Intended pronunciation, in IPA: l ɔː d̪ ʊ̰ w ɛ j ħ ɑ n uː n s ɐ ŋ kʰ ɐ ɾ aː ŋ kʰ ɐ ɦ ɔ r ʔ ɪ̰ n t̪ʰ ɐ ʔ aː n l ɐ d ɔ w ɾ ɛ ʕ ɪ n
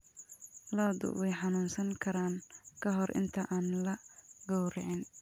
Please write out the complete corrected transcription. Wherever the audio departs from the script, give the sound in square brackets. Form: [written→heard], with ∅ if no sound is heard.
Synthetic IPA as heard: l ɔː d̪ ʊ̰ w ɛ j ħ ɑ n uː n s ɐ ŋ kʰ ɐ ɾ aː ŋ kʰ ɐ ɦ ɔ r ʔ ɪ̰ n t̪ʰ ɐ ʔ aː n l ɐ [d→ɡ] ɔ w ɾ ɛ ʕ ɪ n